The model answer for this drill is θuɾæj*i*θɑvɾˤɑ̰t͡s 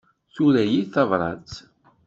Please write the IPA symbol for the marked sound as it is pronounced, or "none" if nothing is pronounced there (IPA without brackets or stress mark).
i